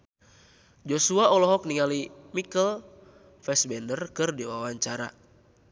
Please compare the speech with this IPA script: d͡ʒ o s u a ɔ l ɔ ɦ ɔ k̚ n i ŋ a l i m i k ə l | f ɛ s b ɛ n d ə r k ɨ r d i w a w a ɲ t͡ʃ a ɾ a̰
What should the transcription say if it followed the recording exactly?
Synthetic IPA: d͡ʒ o s u a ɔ l ɔ ɦ ɔ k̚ n i ŋ a l i m i k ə l | f ɛ s b ɛ n d ə r k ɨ r d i w a w a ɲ t͡ʃ a ɾ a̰